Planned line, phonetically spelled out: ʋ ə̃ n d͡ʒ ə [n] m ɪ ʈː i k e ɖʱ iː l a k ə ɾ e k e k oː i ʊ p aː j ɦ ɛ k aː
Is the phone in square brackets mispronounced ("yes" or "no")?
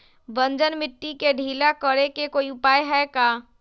no